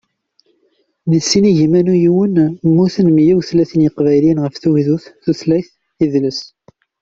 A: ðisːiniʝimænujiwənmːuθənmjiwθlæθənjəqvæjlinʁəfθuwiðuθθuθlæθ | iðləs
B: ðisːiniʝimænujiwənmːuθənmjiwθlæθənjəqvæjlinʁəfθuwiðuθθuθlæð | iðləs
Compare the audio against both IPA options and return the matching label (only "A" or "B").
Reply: A